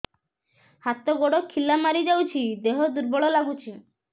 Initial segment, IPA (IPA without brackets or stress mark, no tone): h